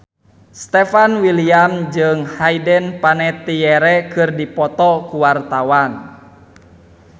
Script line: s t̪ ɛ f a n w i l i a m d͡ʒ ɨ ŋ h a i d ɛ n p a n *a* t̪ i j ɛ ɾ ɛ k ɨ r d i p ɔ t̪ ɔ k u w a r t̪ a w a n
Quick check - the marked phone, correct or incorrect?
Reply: incorrect